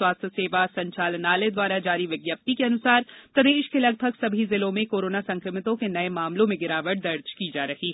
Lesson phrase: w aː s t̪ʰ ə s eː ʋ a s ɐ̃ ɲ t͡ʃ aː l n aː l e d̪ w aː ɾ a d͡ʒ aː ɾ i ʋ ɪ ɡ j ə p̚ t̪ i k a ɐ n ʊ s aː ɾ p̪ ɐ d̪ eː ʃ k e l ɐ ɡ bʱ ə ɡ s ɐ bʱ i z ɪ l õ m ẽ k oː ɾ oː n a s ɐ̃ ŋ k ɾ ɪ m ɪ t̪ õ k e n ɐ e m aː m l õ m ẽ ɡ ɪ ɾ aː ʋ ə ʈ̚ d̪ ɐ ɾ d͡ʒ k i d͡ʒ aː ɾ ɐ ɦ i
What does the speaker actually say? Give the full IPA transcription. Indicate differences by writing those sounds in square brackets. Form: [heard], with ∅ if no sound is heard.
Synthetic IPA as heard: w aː s t̪ʰ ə s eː ʋ a s ɐ̃ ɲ t͡ʃ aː l n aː l e d̪ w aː ɾ a d͡ʒ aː ɾ i ʋ ɪ ɡ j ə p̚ t̪ i k [e] ɐ n ʊ s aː ɾ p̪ ɐ d̪ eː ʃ k e l ɐ ɡ bʱ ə ɡ s ɐ bʱ i z ɪ l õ m ẽ k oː ɾ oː n a s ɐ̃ ŋ k ɾ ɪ m ɪ t̪ õ k e n ɐ e m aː m l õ m ẽ ɡ ɪ ɾ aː ʋ ə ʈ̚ d̪ ɐ ɾ d͡ʒ k i d͡ʒ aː ɾ ɐ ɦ i